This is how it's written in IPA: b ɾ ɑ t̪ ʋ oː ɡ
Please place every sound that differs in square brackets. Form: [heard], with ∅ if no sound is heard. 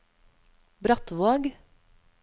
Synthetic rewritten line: b ɾ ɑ t̪ ʋ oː ɡ